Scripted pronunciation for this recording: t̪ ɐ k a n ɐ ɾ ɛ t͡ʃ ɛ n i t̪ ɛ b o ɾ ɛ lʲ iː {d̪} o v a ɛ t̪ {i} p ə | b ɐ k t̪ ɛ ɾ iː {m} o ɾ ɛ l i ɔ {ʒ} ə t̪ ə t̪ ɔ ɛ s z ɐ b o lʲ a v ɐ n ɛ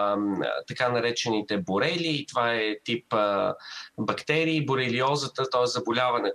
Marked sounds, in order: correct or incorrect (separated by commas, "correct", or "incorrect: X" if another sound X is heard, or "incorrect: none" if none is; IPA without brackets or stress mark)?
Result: incorrect: t̪, correct, incorrect: b, incorrect: z